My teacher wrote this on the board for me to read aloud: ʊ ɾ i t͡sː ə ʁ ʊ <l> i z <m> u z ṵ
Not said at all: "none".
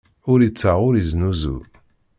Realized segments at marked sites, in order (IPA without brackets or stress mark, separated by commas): ɾ, n